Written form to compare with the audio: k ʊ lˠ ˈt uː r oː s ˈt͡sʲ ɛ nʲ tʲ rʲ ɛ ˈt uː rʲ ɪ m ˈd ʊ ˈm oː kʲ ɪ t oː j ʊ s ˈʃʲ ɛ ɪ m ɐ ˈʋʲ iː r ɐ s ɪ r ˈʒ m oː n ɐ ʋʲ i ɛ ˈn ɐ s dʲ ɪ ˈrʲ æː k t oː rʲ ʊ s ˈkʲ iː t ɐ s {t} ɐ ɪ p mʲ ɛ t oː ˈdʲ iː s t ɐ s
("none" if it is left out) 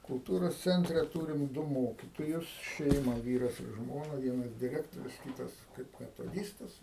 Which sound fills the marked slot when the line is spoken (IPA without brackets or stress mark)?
k